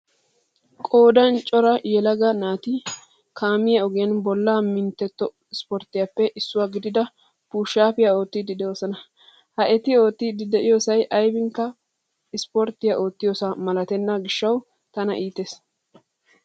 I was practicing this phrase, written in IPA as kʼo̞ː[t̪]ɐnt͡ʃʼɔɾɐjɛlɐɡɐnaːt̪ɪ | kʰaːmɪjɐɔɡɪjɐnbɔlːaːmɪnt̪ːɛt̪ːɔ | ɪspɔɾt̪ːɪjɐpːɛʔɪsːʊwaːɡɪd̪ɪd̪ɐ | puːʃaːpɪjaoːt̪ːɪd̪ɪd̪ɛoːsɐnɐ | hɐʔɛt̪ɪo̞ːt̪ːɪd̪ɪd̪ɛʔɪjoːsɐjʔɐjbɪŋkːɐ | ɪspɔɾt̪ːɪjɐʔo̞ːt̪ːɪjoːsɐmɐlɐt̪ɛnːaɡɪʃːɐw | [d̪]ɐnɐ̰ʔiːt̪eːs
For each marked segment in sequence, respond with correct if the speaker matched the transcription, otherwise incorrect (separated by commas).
incorrect, incorrect